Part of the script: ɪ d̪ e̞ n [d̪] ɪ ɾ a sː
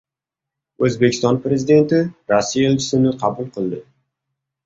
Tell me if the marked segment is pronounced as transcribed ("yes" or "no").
no